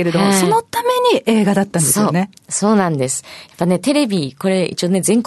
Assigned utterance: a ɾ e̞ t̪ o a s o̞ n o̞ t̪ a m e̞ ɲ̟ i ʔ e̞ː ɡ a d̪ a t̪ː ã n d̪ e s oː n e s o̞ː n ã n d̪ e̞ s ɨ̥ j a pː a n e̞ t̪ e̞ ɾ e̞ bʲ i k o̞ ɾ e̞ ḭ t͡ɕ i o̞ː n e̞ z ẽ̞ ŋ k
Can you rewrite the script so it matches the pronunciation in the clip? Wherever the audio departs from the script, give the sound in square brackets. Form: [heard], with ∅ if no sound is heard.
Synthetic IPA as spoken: [e] ɾ e̞ [d̪] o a s o̞ n o̞ t̪ a m e̞ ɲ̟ i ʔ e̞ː ɡ a d̪ a t̪ː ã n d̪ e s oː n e s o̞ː n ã n d̪ e̞ s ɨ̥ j a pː a n e̞ t̪ e̞ ɾ e̞ bʲ i k o̞ ɾ e̞ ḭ t͡ɕ i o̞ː n e̞ z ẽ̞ ŋ k